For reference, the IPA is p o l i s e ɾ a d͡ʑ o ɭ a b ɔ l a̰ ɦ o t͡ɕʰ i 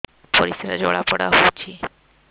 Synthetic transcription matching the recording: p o ɾ i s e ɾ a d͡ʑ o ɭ a p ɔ ɽ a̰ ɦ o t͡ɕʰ i